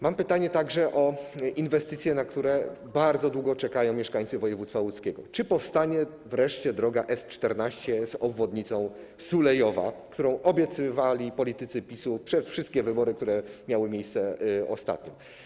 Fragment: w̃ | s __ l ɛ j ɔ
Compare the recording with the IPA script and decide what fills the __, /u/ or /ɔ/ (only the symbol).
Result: u